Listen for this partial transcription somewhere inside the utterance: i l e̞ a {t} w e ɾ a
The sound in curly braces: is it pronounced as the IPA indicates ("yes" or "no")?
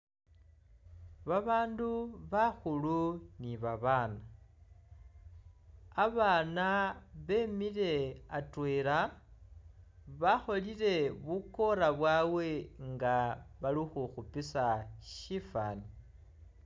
yes